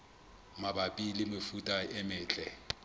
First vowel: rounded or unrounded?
unrounded